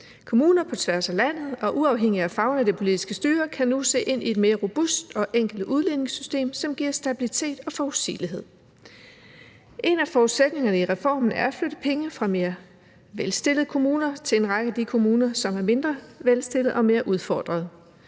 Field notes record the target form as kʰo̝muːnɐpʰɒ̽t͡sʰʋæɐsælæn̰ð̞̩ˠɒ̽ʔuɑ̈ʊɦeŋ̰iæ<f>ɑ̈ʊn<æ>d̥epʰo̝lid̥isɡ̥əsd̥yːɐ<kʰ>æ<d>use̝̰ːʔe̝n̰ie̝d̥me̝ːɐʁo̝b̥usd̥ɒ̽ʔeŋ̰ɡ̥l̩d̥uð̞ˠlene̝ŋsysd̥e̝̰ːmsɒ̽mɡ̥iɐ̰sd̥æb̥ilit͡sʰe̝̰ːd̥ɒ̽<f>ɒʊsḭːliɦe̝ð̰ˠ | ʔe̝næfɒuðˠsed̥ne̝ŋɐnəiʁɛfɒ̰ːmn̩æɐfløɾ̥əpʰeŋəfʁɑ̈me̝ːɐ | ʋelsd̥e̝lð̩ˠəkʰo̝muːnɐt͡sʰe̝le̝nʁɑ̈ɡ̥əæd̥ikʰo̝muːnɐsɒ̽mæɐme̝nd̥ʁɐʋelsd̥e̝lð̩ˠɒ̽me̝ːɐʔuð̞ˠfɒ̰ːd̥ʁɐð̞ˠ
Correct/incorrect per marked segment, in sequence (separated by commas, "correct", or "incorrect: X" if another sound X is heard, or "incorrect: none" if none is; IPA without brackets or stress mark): correct, correct, correct, incorrect: n, correct